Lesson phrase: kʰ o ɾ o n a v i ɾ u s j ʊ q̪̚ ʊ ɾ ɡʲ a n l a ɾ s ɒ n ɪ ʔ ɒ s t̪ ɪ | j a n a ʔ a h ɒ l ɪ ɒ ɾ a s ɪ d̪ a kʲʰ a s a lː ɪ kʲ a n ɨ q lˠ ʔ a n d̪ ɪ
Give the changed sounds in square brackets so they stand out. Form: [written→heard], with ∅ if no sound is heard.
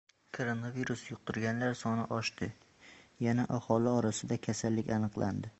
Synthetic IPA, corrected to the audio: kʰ o ɾ o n a v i ɾ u s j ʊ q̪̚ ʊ ɾ ɡʲ a n l a ɾ s ɒ n ɪ ʔ ɒ [s→ʃ] t̪ ɪ | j a n a ʔ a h ɒ l ɪ ɒ ɾ a s ɪ d̪ a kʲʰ a s a lː ɪ kʲ a n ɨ q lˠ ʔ a n d̪ ɪ